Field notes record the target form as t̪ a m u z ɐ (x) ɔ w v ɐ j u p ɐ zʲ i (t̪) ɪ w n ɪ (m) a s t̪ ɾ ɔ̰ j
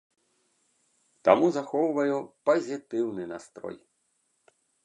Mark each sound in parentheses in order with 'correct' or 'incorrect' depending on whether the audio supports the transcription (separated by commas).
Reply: correct, correct, incorrect